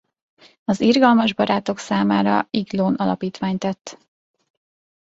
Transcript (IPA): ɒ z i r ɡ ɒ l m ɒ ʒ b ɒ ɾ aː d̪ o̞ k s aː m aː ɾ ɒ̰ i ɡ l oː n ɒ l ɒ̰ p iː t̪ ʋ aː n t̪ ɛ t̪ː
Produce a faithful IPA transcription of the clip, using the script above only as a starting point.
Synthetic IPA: ɒ z i r ɡ ɒ l m ɒ ʒ b ɒ ɾ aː t̪ o̞ k s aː m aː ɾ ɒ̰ i ɡ l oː n ɒ l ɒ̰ p iː t̪ ʋ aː ɲ t̪ ɛ t̪ː